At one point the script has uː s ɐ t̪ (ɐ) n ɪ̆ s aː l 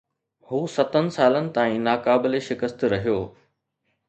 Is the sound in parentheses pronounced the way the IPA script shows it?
no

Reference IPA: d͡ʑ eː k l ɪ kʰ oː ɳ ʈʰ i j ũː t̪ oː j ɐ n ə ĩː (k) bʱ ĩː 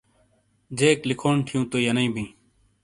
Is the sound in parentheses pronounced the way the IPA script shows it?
no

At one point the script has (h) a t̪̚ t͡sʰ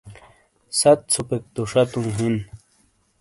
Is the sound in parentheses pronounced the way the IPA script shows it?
no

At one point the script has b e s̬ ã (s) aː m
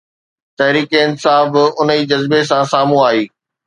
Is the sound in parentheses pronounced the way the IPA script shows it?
yes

